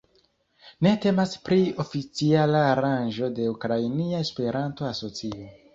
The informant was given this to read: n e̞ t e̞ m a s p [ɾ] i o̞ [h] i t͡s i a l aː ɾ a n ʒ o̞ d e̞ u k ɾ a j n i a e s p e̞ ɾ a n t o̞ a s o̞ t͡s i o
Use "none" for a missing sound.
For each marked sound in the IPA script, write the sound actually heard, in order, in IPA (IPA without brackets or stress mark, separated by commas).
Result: ɾ, f